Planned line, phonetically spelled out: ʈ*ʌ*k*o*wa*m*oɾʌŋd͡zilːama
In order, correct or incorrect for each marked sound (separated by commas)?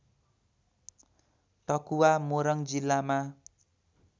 correct, incorrect, correct